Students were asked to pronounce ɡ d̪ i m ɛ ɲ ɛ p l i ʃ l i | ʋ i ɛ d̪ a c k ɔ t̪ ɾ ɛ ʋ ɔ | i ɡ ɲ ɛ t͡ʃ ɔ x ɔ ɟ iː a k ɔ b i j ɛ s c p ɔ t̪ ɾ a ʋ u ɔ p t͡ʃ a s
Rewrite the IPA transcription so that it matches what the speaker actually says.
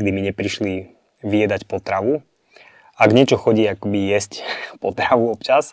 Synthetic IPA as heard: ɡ d̪ i m i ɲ ɛ p ɾ i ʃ l i | ʋ i ɛ d̪ a c p ɔ t̪ ɾ a ʋ u | a ɡ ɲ ɛ t͡ʃ ɔ x ɔ ɟ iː a k ɔ b i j ɛ s c p ɔ t̪ ɾ a ʋ u ɔ p t͡ʃ a s